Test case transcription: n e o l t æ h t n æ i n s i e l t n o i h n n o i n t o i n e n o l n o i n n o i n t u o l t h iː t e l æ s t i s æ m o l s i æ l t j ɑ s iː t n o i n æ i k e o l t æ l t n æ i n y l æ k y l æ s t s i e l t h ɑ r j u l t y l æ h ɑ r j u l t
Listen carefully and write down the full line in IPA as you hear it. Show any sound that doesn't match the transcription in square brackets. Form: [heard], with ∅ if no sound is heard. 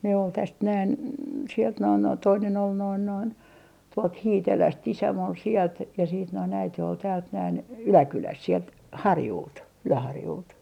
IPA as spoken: n e o l t æ [s] t n æ i n s i e l t n o i [∅] n n o i n t o i n e n o l n o i n n o i n t u o l t h iː t e l æ s t i s æ m o l s i [e] l t j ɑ s iː t n o i n æ i [t] e o l t [æː] l t n æ i n y l æ k y l æ s t s i e l t h ɑ r j u l t y l æ h ɑ r j u l t